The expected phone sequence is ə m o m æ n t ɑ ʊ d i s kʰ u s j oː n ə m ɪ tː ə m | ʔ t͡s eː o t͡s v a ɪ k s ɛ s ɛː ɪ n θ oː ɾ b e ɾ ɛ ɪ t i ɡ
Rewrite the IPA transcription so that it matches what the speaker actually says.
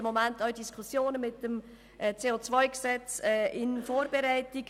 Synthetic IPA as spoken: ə m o m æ n t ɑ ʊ d i s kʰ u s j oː n ə m ɪ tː ə m | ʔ t͡s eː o t͡s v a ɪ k s ɛ t͡s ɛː ɪ n f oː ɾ b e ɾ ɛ ɪ t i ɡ